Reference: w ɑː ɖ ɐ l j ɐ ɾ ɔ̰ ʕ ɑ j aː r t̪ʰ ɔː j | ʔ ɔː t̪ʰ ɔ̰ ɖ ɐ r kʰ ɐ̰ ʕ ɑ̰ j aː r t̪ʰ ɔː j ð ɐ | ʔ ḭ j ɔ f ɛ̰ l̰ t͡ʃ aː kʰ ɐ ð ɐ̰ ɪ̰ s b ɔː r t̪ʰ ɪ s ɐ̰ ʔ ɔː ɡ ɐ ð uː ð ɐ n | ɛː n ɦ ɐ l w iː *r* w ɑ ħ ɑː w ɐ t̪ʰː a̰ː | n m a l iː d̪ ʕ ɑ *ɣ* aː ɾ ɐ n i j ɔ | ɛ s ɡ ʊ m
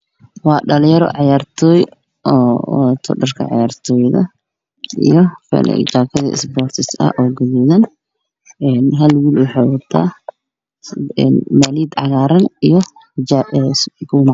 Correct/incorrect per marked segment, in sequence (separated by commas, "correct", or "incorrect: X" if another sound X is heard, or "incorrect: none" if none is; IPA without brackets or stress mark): incorrect: l, correct